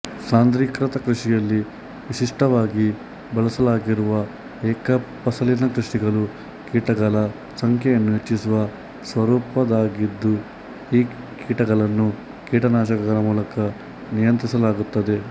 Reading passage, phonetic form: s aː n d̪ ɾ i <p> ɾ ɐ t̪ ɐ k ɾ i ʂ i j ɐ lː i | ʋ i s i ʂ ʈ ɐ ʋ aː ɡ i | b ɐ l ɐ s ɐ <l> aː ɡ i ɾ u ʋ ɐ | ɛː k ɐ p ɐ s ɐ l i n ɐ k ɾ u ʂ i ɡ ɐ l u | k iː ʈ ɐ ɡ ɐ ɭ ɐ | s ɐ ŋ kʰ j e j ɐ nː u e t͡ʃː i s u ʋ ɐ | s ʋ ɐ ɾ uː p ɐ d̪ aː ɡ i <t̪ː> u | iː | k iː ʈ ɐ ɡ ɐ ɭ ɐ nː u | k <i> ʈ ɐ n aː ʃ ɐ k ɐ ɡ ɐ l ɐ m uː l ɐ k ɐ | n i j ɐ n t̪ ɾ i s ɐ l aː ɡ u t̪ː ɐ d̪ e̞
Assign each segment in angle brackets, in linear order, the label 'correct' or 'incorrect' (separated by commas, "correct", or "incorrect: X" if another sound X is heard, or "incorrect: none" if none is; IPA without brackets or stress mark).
incorrect: k, correct, incorrect: d̪ː, incorrect: iː